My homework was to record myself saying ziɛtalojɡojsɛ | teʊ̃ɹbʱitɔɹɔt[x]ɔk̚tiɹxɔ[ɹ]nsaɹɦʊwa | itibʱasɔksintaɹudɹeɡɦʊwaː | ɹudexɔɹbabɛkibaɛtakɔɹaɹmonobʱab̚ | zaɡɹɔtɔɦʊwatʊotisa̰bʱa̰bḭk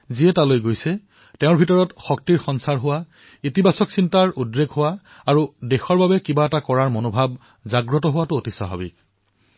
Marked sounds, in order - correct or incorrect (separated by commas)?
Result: correct, incorrect